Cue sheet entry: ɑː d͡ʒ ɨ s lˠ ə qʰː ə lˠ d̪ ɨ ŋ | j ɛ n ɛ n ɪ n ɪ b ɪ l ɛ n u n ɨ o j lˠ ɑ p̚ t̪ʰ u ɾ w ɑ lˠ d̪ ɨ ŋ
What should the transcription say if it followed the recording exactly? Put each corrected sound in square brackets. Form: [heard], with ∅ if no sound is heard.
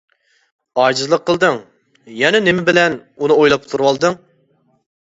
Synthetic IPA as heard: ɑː d͡ʒ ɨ [z] lˠ ə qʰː ə lˠ d̪ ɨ ŋ | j ɛ n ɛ n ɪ [m] ɪ b ɪ l ɛ n u n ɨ o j lˠ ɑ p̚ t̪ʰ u ɾ w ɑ lˠ d̪ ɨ ŋ